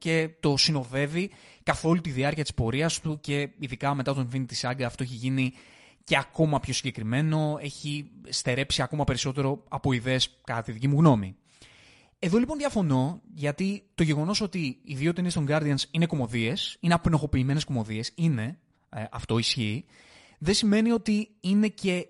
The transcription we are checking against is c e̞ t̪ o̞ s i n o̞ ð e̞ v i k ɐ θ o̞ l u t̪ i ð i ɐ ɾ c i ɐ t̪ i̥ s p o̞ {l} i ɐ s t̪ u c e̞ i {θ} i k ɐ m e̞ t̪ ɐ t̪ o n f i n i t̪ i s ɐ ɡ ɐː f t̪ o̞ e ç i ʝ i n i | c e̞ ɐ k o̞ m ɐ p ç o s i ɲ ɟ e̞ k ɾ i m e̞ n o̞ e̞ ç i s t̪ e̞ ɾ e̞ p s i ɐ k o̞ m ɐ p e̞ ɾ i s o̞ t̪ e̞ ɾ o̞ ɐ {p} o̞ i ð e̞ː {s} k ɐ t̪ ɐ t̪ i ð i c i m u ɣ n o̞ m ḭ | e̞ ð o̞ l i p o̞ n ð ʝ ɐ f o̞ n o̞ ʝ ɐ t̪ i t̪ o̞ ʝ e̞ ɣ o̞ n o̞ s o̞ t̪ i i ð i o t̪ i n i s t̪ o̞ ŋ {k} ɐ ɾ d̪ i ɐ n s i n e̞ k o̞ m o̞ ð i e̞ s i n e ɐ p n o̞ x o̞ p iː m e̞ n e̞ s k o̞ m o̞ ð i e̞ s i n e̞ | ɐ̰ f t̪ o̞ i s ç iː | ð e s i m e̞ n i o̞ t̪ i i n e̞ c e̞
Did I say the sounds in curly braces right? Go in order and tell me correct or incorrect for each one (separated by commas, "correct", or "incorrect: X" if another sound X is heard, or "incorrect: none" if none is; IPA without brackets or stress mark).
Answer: incorrect: ɾ, incorrect: ð, correct, correct, incorrect: ɡ